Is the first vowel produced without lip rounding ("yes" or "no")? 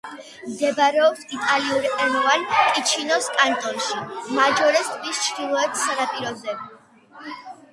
yes